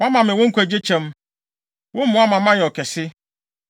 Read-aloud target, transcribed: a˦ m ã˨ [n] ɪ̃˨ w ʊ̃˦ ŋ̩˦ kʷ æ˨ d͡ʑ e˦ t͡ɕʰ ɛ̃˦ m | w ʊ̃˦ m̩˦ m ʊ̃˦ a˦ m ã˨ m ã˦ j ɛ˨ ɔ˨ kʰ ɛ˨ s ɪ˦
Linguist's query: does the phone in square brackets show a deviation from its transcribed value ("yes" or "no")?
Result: yes